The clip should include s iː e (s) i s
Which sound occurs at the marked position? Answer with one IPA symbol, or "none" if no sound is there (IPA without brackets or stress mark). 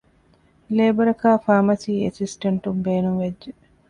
s